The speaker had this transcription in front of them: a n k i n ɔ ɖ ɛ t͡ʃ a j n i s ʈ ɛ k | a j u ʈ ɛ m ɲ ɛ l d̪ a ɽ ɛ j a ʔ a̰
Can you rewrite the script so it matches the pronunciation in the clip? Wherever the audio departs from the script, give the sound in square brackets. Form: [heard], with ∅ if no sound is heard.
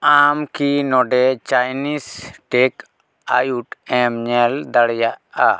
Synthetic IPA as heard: a [m] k i n ɔ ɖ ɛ t͡ʃ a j n i s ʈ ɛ k | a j u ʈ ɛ m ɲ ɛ l d̪ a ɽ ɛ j a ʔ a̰